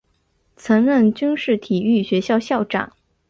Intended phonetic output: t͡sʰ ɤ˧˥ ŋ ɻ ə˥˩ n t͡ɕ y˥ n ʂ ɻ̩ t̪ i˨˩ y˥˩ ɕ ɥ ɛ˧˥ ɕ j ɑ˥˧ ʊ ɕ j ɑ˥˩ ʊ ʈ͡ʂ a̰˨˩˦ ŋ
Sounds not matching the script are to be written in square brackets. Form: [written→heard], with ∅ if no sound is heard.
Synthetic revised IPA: t͡sʰ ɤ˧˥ ŋ ɻ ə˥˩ n t͡ɕ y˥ n ʂ ɻ̩ [t̪→t̪ʰ] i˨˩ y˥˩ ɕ ɥ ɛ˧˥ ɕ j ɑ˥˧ ʊ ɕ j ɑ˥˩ ʊ ʈ͡ʂ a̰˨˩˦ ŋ